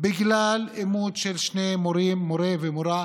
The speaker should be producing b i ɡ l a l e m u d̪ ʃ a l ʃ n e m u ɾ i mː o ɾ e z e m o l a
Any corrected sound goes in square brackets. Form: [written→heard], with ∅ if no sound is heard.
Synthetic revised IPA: b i ɡ l a l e m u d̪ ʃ [a→e] l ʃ n e m [u→o] ɾ i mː o ɾ e [z→v] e m o [l→ɾ] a